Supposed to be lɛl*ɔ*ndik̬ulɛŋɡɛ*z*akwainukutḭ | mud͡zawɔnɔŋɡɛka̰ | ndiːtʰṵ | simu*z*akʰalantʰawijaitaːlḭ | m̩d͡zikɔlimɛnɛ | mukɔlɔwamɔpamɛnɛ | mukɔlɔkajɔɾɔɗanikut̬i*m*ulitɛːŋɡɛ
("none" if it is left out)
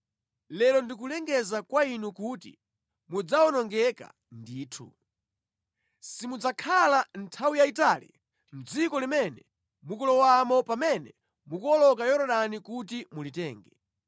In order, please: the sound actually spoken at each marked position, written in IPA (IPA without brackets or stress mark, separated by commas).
ɔ, z, d͡z, m